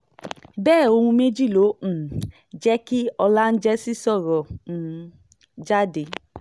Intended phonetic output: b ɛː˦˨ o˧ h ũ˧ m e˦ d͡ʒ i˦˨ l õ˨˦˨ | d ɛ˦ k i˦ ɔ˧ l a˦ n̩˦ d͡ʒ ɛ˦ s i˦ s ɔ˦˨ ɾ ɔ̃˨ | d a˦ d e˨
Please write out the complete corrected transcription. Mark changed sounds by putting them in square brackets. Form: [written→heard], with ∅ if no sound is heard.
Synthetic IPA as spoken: b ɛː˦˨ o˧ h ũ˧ m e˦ d͡ʒ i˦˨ l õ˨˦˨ | [d→d͡ʒ] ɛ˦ k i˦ ɔ˧ l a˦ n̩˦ d͡ʒ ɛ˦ s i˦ s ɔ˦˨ ɾ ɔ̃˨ | [d→d͡ʒ] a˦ d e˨